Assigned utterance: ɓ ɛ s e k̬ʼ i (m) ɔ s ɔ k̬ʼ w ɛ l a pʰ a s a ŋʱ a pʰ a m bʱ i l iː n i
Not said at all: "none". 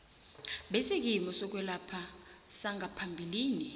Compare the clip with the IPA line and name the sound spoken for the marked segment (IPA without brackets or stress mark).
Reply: m